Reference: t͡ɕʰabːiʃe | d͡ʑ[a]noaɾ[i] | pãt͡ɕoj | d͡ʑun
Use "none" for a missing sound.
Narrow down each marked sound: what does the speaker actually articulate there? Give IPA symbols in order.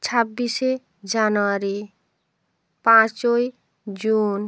a, i

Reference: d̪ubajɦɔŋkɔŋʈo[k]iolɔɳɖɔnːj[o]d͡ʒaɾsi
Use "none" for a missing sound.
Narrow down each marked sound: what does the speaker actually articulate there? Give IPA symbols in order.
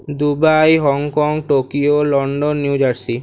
k, u

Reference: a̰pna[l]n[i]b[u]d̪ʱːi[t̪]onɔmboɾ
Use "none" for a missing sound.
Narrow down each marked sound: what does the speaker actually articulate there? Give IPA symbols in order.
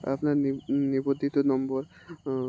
ɾ, i, o, t̪

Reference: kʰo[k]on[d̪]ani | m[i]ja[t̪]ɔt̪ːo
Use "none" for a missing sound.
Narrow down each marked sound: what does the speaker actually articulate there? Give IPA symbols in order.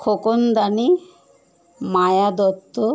k, d̪, a, d̪

